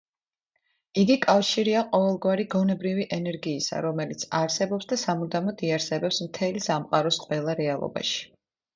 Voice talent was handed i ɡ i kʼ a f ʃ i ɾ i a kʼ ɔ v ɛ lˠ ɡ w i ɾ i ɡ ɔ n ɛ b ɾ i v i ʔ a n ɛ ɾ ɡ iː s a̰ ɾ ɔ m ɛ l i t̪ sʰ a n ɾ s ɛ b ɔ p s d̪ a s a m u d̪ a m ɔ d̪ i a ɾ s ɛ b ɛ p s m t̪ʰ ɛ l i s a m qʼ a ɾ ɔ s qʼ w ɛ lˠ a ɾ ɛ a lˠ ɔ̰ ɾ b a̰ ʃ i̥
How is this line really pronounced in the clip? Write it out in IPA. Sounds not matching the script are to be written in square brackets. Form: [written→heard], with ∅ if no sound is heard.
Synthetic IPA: i ɡ i kʼ a f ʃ i ɾ i a [kʼ→qʼ] ɔ v ɛ lˠ ɡ w [i→a] ɾ i ɡ ɔ n ɛ b ɾ i v i ʔ [a→ɛ] n ɛ ɾ ɡ iː s a̰ ɾ ɔ m ɛ l i t̪ sʰ a [n→∅] ɾ s ɛ b ɔ p s d̪ a s a m u d̪ a m ɔ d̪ i a ɾ s ɛ b ɛ p s m t̪ʰ ɛ l i s a m qʼ a ɾ ɔ s qʼ w ɛ lˠ a ɾ ɛ a lˠ ɔ̰ [ɾ→∅] b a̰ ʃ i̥